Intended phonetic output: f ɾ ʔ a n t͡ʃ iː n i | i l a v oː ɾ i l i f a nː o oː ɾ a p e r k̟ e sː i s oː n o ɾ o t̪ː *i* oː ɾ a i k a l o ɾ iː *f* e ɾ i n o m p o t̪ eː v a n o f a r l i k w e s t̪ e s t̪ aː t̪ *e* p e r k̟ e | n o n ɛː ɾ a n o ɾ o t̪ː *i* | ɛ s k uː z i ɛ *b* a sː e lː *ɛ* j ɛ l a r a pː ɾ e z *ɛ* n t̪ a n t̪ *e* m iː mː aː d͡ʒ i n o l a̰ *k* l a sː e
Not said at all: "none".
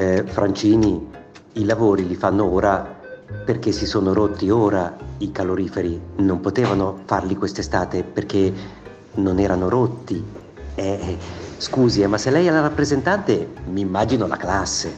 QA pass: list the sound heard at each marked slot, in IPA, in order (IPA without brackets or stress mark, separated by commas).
i, f, e, i, m, ɛ, e, e, k